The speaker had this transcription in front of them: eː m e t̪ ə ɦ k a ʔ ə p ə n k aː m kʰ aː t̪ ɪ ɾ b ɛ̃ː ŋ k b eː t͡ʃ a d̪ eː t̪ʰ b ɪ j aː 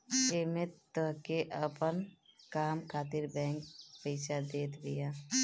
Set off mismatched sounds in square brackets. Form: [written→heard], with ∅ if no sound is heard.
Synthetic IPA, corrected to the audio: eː m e t̪ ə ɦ k [a→e] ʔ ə p ə n k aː m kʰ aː t̪ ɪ ɾ b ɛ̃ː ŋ k [b→p] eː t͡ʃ a d̪ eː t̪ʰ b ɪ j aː